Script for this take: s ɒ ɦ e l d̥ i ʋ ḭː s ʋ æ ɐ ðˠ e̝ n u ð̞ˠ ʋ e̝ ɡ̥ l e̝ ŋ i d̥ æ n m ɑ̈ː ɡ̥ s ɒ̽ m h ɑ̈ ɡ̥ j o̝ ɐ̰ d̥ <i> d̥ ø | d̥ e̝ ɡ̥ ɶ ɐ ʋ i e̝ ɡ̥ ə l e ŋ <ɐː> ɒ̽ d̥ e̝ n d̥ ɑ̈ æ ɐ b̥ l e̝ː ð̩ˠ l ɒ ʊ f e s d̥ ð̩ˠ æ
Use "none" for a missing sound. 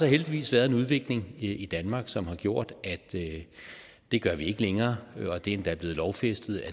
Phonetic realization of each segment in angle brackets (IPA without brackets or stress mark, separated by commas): æ, ɐː